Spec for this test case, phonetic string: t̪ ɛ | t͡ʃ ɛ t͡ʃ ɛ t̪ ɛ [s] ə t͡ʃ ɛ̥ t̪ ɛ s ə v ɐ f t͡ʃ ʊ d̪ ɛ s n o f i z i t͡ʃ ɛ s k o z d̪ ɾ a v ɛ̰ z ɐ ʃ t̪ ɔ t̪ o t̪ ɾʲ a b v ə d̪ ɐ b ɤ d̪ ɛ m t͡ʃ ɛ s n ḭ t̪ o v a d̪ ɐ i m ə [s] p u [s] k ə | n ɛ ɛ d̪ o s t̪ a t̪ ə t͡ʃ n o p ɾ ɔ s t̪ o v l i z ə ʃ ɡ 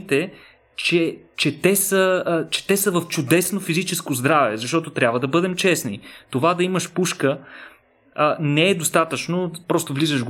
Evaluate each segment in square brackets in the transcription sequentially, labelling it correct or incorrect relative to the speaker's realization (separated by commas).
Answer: correct, incorrect, incorrect